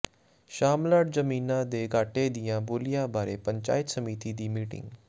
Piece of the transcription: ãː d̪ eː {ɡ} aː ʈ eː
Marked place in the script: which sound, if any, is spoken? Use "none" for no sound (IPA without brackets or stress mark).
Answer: ɡ